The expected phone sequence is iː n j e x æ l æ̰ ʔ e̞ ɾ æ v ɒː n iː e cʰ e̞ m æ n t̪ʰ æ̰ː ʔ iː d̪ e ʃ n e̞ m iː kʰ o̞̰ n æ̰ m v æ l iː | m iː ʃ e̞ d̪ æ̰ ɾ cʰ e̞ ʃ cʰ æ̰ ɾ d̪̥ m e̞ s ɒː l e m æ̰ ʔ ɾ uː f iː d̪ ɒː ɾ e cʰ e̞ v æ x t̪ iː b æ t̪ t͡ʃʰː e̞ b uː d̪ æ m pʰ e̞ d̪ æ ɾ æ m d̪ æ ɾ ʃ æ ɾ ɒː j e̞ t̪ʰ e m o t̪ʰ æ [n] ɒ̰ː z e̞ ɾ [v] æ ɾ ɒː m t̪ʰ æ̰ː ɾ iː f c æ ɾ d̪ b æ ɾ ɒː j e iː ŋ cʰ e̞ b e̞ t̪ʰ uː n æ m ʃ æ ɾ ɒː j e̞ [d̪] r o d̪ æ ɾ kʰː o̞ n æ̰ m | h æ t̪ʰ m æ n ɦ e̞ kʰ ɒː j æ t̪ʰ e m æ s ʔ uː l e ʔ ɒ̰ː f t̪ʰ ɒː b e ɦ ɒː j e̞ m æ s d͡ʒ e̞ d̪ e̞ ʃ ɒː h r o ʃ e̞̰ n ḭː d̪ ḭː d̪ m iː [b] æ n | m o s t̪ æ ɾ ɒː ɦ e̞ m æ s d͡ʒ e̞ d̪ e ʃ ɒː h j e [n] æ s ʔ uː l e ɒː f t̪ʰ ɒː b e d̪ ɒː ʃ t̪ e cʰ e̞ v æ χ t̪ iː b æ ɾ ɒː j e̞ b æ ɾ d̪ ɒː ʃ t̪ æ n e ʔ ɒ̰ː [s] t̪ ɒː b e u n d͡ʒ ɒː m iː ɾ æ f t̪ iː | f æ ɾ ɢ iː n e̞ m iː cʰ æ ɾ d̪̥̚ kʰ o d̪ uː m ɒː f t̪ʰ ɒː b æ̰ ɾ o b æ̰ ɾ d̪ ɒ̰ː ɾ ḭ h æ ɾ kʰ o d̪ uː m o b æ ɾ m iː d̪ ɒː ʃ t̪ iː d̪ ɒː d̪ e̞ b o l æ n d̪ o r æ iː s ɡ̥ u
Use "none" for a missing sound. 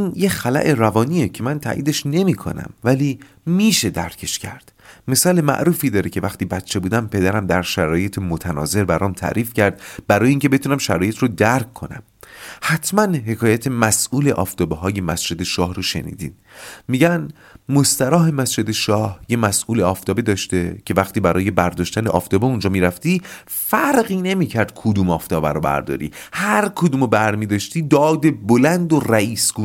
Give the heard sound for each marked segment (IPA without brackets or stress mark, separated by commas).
n, b, t̪, ɟ, m, f